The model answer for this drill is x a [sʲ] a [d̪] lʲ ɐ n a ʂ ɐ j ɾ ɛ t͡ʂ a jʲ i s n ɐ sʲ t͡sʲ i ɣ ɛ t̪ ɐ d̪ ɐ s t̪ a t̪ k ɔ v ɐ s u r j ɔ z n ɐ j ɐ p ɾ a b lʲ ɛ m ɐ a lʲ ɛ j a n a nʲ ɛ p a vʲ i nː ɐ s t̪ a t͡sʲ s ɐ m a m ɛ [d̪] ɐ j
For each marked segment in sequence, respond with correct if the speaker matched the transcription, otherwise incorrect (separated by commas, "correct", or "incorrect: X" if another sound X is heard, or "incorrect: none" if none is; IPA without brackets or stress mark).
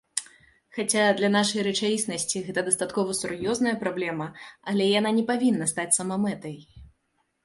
incorrect: t͡sʲ, correct, incorrect: t̪